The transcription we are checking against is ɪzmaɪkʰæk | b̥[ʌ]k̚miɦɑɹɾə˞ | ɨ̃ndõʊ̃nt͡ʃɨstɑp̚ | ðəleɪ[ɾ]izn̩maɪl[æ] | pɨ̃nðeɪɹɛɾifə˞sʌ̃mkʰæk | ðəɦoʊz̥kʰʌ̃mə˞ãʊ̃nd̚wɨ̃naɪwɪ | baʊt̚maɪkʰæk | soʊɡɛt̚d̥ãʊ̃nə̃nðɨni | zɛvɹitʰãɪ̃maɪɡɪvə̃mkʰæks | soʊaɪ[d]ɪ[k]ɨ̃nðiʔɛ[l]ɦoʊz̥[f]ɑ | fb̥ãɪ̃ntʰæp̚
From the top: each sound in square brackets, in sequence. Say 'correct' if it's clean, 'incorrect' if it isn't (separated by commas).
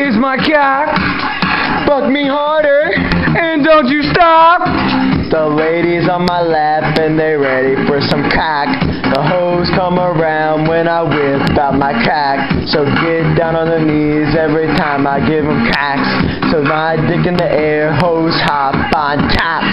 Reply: correct, correct, correct, correct, correct, incorrect, incorrect